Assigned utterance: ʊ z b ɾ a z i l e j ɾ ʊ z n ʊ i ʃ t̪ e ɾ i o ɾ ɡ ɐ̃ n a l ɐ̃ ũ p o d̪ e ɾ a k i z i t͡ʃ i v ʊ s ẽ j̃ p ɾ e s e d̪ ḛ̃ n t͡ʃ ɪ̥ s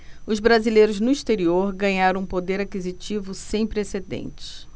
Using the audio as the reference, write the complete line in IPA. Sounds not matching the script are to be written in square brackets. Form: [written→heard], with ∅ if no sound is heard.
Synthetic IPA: ʊ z b ɾ a z i l e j ɾ ʊ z n ʊ i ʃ t̪ e ɾ i o ɾ ɡ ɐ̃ [n→ɲ] a [l→ɾ] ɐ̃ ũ p o d̪ e ɾ a k i z i t͡ʃ i v ʊ s ẽ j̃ p ɾ e s e d̪ ḛ̃ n t͡ʃ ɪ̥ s

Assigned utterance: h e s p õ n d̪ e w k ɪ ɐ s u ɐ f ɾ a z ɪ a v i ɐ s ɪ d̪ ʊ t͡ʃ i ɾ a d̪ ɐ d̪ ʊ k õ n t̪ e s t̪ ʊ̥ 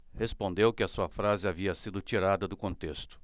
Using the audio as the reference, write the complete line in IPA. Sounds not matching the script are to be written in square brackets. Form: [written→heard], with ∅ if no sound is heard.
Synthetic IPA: h e s p õ n d̪ e w k ɪ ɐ s u ɐ f ɾ a z ɪ a v i ɐ s [ɪ→i] d̪ ʊ t͡ʃ i ɾ a d̪ ɐ d̪ ʊ k õ n t̪ e s t̪ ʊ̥

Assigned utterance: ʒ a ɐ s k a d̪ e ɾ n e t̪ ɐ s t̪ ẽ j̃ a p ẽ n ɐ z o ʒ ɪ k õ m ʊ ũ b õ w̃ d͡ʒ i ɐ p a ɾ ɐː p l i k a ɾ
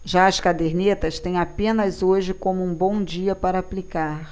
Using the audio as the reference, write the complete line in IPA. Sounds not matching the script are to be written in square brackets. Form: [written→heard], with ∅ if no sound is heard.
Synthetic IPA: ʒ a ɐ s k a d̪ e ɾ n e t̪ ɐ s t̪ ẽ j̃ a p ẽ n ɐ z o ʒ ɪ k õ m ʊ ũ b õ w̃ d͡ʒ i ɐ p a ɾ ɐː p l i k a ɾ

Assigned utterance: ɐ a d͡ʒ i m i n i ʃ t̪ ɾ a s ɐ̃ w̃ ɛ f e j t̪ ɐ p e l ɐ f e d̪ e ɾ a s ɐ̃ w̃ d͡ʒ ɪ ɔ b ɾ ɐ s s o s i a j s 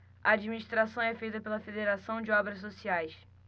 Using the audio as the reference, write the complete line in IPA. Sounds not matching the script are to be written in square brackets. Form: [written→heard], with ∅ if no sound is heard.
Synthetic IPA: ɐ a d͡ʒ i m i n i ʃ t̪ ɾ a s ɐ̃ w̃ ɛ f e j t̪ ɐ p e l ɐ f e d̪ e ɾ a s ɐ̃ w̃ d͡ʒ ɪ ɔ b ɾ ɐ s s o s i a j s

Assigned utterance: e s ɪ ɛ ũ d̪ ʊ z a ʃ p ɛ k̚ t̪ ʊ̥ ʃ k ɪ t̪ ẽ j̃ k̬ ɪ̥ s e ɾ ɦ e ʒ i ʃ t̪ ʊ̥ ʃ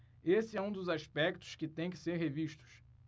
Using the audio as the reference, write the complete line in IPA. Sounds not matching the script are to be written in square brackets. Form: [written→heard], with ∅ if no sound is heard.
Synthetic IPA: e s ɪ ɛ ũ d̪ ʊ z a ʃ p ɛ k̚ t̪ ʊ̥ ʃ k ɪ t̪ ẽ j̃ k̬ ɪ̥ s e ɾ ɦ e [ʒ→v] i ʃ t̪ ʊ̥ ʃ

